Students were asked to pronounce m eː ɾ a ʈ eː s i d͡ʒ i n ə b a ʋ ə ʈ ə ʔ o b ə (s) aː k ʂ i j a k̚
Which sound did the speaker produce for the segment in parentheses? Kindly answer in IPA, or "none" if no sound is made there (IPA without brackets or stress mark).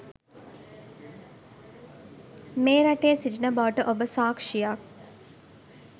s